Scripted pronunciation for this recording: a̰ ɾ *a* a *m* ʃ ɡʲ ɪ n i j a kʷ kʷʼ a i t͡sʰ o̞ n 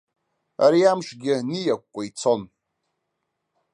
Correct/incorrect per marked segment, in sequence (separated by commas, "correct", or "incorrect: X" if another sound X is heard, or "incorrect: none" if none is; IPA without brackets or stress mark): incorrect: i, correct